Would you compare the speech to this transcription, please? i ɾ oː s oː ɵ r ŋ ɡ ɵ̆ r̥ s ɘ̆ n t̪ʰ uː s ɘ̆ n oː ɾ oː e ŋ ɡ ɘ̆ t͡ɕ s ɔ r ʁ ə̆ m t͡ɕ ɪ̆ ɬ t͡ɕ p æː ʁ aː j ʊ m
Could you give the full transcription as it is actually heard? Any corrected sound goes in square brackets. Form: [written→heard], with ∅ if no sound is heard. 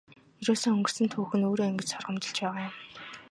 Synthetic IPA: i ɾ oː s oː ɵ [r→∅] ŋ ɡ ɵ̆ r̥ s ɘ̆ n t̪ʰ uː [s→x] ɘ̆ n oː ɾ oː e ŋ ɡ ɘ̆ t͡ɕ s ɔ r ʁ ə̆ m t͡ɕ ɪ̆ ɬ t͡ɕ p æː ʁ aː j ʊ m